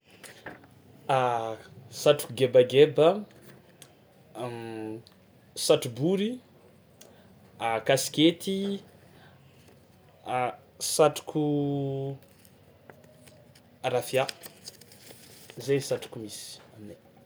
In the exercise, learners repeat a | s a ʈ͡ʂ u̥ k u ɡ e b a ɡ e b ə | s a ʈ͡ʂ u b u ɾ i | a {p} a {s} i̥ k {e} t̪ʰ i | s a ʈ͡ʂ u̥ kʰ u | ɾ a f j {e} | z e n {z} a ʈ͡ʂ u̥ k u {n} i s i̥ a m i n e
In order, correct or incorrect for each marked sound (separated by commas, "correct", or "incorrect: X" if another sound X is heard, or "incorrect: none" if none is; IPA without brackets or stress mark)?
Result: incorrect: k, correct, correct, incorrect: a, incorrect: s, incorrect: m